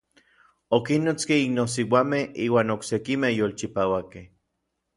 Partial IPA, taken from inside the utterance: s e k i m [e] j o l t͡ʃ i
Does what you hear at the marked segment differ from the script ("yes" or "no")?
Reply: no